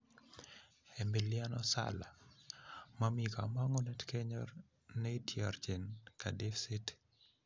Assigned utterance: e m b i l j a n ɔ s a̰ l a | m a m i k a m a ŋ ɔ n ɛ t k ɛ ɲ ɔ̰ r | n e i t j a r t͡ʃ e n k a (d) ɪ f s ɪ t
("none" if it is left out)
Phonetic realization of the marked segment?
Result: d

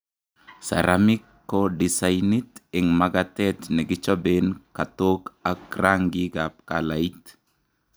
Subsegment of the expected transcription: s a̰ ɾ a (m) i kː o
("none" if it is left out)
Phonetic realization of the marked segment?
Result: m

